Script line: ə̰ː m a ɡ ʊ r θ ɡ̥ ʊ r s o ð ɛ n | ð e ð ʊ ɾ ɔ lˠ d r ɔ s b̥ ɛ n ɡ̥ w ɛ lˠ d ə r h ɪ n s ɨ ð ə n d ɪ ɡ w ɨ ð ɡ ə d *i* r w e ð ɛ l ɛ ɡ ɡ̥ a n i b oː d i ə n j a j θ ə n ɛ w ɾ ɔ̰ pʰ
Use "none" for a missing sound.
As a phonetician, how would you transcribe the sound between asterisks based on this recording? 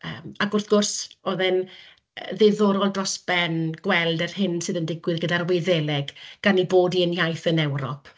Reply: a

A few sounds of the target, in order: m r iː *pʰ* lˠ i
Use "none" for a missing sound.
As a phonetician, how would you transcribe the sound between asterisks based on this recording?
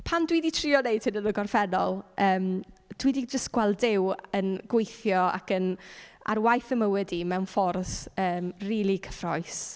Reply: none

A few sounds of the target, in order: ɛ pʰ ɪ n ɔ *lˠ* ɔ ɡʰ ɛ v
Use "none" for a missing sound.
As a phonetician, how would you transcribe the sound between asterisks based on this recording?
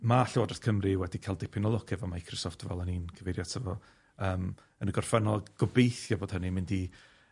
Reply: lˠ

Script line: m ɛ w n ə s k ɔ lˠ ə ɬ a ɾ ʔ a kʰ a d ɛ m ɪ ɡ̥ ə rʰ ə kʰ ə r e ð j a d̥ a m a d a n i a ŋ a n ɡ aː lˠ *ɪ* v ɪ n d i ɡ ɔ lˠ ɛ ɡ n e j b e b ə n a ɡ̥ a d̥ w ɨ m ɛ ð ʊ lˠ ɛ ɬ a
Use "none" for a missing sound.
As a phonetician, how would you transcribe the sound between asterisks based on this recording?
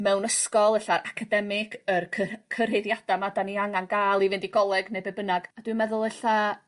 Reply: i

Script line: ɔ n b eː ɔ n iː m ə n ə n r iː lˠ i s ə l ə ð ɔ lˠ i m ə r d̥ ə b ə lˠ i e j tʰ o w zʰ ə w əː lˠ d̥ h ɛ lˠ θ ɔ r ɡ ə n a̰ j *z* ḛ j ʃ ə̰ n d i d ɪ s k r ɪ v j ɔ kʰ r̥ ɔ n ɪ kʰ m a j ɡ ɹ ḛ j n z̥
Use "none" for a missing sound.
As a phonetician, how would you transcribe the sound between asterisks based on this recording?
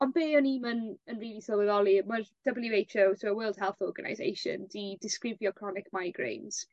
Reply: z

